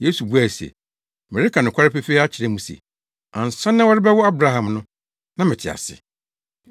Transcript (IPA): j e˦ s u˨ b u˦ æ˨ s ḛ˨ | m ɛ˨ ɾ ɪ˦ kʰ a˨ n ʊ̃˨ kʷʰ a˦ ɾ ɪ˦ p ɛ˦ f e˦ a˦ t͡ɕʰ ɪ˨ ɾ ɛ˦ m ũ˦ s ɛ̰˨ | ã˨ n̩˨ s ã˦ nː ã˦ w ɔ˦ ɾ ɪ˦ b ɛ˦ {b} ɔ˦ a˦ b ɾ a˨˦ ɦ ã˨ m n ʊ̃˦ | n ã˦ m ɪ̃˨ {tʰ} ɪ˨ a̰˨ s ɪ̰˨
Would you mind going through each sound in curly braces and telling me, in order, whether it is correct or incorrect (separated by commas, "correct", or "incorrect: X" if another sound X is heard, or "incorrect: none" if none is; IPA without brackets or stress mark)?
incorrect: w, correct